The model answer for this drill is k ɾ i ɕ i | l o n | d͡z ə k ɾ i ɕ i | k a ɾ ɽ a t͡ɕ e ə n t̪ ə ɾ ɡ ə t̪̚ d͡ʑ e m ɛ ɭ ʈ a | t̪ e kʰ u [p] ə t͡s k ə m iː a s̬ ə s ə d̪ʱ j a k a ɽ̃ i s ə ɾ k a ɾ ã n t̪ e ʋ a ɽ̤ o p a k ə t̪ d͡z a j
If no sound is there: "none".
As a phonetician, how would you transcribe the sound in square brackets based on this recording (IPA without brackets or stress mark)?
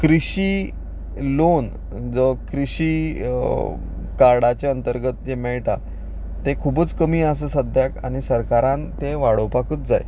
b